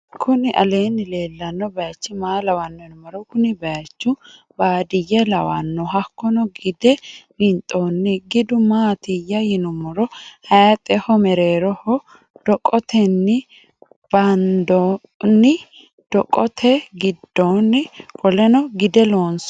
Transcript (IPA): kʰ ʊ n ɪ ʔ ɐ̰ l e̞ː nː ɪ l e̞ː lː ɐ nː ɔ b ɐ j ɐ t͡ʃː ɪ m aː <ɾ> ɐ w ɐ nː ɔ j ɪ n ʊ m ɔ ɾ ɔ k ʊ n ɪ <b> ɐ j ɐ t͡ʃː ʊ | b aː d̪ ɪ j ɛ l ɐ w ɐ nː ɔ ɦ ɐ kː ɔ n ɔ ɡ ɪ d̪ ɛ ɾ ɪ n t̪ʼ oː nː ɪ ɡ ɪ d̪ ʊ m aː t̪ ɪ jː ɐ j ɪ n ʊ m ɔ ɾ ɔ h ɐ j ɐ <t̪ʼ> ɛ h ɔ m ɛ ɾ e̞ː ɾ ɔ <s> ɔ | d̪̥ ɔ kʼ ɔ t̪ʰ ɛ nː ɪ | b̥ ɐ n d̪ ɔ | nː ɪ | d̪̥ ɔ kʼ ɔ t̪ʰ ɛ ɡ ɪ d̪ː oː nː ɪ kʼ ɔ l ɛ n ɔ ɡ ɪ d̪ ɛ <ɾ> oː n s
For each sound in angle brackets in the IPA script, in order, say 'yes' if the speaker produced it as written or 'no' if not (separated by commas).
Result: no, yes, yes, no, no